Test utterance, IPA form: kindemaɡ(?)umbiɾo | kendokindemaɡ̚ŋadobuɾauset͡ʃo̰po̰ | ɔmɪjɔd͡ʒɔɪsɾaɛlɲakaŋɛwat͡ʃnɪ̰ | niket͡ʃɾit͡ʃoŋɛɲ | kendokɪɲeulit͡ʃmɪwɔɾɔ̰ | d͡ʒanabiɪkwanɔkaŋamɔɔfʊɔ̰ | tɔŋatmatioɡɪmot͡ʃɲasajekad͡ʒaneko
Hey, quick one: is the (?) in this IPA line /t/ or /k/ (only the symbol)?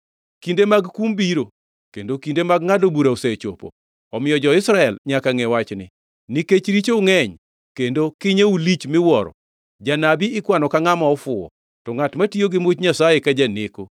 k